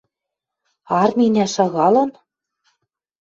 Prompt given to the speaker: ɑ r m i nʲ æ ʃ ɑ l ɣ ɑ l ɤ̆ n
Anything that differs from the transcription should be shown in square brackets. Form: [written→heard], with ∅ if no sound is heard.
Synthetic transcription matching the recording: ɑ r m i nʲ æ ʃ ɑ [l→∅] ɣ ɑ l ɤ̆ n